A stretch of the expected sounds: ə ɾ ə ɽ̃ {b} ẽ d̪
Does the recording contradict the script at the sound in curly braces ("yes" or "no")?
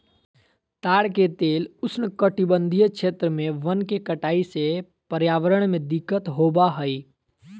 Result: yes